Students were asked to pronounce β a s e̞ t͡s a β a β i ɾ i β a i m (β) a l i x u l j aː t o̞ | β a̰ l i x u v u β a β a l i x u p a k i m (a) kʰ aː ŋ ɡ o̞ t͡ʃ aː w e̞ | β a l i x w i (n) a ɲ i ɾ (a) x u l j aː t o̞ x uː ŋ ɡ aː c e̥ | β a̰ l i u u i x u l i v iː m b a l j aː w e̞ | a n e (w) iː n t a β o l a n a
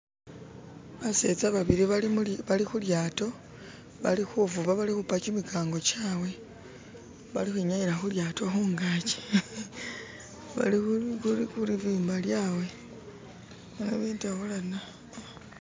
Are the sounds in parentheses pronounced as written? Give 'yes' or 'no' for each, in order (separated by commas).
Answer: yes, no, no, yes, no